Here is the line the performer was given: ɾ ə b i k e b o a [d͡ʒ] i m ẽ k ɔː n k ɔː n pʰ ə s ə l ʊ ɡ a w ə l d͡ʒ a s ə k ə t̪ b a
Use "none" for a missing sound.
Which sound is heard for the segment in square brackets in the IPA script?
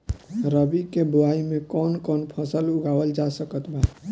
none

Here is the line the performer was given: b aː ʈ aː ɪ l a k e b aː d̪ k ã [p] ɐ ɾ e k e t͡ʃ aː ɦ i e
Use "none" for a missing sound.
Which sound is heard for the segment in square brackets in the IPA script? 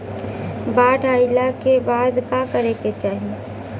k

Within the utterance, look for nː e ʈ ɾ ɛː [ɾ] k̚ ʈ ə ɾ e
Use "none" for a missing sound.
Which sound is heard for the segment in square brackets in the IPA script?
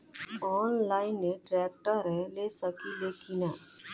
none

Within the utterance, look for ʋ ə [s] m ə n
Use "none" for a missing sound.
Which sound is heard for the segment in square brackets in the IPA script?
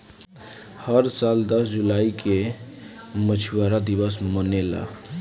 s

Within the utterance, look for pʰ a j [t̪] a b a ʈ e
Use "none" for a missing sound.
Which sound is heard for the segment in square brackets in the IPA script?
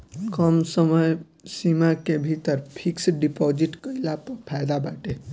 d̪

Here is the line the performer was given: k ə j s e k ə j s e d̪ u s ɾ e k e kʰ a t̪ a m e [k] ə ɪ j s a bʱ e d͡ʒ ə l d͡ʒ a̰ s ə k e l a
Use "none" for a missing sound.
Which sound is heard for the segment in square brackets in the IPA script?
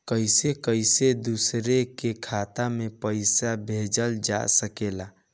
p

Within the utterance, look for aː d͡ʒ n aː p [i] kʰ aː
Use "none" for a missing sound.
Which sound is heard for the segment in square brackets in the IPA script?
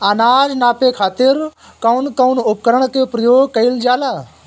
e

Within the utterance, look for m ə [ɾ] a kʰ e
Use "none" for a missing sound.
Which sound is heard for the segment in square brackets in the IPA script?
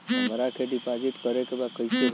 ɾ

